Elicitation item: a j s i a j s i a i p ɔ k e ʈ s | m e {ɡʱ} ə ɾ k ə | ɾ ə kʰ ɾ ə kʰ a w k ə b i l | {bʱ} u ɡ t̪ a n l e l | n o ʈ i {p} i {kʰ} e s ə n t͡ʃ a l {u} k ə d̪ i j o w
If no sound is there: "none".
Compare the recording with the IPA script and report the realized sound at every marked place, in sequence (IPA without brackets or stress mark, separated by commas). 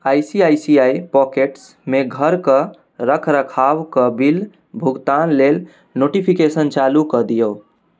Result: ɡʱ, bʱ, pʰ, k, u